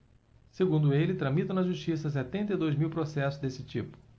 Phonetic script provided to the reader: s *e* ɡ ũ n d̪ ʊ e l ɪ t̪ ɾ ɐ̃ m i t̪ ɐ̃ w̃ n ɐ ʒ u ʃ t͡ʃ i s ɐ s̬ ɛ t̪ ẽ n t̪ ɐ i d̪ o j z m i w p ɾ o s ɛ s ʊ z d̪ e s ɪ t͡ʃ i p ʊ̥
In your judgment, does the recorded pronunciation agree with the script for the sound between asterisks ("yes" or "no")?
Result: yes